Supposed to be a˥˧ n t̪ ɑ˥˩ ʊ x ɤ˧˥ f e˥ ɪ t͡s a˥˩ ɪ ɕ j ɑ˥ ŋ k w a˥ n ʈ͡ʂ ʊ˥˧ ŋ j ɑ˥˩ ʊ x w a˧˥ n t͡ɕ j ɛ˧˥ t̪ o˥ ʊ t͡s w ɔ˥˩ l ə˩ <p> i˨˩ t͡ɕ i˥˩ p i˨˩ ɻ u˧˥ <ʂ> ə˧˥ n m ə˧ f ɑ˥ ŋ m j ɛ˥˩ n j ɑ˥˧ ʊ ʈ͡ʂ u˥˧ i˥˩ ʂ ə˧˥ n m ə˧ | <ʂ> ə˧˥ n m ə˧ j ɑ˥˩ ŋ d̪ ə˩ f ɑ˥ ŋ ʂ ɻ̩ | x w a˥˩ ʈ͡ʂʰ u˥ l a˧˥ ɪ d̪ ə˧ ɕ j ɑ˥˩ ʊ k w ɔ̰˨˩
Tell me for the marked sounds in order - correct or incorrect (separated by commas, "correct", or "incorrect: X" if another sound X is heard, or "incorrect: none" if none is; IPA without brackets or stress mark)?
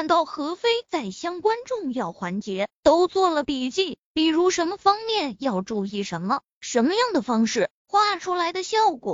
correct, correct, correct